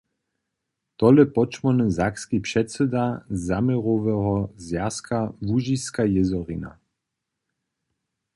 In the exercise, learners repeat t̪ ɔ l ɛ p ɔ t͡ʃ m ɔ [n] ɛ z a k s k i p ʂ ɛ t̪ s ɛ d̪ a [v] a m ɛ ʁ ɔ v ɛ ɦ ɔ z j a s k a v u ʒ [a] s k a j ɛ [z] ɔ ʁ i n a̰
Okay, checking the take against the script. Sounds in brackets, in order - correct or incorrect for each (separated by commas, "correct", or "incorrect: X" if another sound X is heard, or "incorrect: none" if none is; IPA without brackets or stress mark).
correct, incorrect: z, incorrect: i, correct